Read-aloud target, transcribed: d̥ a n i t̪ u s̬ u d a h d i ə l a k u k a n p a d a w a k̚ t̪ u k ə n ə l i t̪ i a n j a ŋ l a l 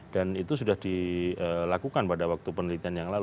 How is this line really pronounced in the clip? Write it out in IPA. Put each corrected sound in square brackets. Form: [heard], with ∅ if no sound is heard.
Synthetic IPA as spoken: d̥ a n i t̪ u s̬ u d a h d i ə l a k u k a n p a d a w a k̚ t̪ u [p] ə n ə l i t̪ i a n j a ŋ l a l